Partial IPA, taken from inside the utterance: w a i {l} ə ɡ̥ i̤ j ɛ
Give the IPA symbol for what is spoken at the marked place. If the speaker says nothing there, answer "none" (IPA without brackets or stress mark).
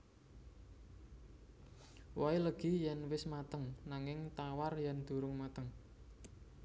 l